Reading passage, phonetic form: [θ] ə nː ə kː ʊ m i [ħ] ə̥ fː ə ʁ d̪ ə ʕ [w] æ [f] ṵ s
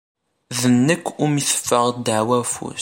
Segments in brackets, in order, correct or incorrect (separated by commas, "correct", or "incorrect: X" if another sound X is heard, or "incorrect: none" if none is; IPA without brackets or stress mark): incorrect: ð, incorrect: θ, correct, correct